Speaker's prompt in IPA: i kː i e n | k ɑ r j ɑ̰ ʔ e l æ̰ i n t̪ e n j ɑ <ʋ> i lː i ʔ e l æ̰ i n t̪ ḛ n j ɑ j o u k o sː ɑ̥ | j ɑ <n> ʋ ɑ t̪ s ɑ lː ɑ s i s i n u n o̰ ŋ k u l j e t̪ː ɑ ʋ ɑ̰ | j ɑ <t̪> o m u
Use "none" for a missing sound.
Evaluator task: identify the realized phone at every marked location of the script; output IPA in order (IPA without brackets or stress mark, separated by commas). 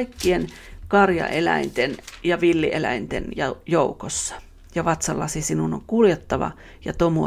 ʋ, none, t̪